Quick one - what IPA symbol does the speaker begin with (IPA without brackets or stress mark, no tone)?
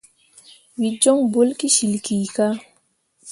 w